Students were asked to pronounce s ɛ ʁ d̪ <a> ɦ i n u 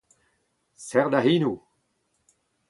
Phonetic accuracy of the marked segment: correct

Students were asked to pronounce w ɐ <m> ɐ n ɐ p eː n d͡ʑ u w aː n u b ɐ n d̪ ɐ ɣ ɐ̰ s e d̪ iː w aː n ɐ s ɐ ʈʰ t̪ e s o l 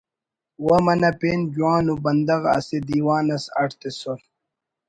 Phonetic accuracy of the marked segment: correct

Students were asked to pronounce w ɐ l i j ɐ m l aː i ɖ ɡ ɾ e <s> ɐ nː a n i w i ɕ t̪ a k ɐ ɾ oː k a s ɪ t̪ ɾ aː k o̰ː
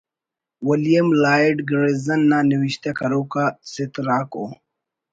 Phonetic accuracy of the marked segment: incorrect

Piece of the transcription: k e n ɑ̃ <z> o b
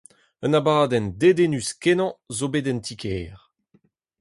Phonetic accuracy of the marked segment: correct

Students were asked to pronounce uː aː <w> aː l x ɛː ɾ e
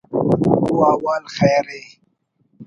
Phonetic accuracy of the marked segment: correct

